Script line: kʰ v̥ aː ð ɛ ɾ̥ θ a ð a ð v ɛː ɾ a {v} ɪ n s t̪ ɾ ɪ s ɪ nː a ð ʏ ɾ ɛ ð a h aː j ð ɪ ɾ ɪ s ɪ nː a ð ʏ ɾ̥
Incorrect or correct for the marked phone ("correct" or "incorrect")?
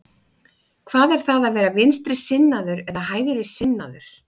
correct